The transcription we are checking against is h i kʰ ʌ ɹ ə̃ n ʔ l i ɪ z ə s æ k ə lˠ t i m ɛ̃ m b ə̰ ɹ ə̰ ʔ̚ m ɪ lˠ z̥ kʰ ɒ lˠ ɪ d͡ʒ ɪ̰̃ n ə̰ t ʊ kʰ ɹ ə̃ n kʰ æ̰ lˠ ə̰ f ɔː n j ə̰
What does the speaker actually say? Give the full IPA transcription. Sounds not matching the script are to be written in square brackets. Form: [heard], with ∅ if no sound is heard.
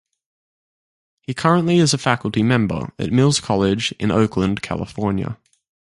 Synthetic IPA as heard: h i kʰ ʌ ɹ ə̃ n ʔ l i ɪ z ə [f] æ k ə lˠ t i m ɛ̃ m b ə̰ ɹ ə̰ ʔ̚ m ɪ lˠ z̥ kʰ ɒ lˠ ɪ d͡ʒ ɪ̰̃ n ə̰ [∅] ʊ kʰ [l] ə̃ n kʰ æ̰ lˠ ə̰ f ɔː n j ə̰

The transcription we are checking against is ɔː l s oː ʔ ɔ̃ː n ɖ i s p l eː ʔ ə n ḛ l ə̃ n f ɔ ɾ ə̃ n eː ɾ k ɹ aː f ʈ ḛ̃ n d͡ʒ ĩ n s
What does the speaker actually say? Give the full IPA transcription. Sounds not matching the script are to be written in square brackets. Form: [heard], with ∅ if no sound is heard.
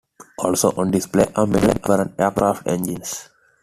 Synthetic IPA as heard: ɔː l s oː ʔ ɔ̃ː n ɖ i s p l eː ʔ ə [m] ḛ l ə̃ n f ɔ ɾ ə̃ n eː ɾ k [ɾ] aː f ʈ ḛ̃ n d͡ʒ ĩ n s

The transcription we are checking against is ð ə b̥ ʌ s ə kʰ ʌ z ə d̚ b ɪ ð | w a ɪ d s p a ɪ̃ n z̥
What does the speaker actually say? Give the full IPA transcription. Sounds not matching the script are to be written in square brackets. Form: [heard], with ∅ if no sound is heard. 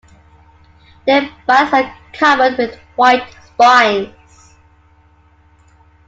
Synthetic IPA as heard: ð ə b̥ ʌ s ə kʰ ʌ [v] ə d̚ [w] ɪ ð | w a ɪ [t] s p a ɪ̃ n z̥

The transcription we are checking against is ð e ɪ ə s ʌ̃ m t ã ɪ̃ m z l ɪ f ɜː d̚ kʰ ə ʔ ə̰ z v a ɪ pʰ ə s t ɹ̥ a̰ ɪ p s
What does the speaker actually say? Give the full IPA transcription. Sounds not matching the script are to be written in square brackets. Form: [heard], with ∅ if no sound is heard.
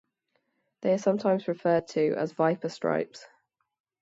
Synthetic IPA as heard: ð e ɪ ə s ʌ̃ m [tʰ] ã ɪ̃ m z [ɹ] ɪ f ɜː d̚ [tʰ] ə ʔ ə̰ z v a ɪ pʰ ə s t ɹ̥ a̰ ɪ p s

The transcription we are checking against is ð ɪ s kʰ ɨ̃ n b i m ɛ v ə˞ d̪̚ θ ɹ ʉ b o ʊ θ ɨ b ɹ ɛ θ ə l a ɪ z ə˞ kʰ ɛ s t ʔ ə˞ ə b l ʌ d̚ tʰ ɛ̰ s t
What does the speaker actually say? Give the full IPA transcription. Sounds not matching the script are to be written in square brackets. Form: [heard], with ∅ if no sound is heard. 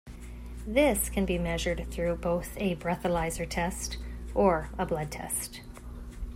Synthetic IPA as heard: ð ɪ s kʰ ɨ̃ n b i m ɛ [ʒ] ə˞ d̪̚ θ ɹ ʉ b o ʊ θ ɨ b ɹ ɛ θ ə l a ɪ z ə˞ [tʰ] ɛ s t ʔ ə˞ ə b l ʌ d̚ tʰ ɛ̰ s t

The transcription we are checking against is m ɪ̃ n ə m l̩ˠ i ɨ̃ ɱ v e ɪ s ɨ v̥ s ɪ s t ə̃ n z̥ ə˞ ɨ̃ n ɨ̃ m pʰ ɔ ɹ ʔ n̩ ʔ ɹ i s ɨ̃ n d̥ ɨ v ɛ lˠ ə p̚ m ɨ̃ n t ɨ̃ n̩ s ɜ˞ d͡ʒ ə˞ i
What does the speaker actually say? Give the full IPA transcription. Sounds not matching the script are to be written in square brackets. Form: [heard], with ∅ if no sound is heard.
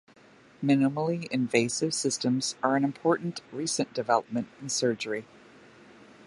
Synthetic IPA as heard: m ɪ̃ n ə m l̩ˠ i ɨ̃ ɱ v e ɪ s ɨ v̥ s ɪ s t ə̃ [m] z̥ ə˞ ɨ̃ n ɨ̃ m pʰ ɔ ɹ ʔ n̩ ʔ ɹ i s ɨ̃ n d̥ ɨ v ɛ lˠ ə p̚ m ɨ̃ n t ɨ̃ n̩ s ɜ˞ d͡ʒ ə˞ i

